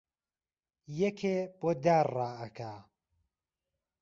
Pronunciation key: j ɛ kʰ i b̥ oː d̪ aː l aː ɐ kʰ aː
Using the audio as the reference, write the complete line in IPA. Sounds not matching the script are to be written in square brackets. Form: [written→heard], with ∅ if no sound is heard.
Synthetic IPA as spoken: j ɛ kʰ [i→e] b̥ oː d̪ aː [l→r] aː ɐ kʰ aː